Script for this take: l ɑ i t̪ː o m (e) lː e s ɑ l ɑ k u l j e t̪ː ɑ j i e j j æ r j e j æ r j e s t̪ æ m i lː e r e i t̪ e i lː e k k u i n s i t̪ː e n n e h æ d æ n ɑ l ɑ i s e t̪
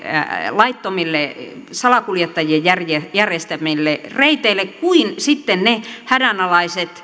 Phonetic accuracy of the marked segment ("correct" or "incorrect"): incorrect